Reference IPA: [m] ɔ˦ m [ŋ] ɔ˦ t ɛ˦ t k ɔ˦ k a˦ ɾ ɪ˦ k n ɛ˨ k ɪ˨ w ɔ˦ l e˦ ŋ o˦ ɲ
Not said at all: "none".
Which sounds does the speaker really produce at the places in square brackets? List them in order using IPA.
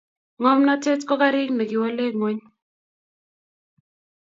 ŋ, n

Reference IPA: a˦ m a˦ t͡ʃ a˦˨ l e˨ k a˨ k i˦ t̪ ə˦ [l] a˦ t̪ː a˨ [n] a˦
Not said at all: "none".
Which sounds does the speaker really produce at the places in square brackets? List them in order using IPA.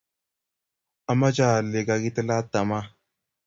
l, m

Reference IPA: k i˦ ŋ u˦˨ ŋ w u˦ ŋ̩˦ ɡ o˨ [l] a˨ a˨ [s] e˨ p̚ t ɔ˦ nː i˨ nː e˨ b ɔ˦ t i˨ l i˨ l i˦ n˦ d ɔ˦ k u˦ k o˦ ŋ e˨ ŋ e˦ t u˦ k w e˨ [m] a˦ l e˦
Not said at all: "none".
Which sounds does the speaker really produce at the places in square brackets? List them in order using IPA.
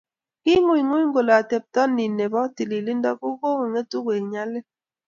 l, t, ɲ

